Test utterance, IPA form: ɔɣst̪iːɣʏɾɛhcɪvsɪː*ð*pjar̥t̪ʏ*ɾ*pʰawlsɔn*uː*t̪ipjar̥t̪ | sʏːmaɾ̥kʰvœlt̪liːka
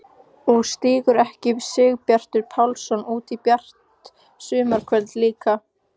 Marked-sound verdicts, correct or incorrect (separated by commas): incorrect, correct, correct